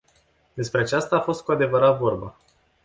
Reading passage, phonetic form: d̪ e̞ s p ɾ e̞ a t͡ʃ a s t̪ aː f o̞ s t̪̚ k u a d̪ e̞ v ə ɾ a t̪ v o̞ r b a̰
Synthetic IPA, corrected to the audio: d̪ e̞ s p ɾ e̞ a t͡ʃ a s t̪ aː f o̞ s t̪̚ k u a d̪ e̞ v ə ɾ a t̪ v o̞ r b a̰